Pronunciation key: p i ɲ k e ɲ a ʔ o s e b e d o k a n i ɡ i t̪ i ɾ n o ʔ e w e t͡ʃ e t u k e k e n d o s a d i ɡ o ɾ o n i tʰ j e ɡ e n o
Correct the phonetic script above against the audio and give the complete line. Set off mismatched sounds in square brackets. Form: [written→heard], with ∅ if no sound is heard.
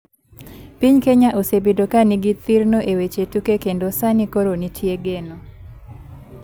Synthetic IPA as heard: p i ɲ k e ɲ a ʔ o s e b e d o k a n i ɡ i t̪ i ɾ n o ʔ e w e t͡ʃ e t u k e k e n d o s a [d→n] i [ɡ→k] o ɾ o n i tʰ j e ɡ e n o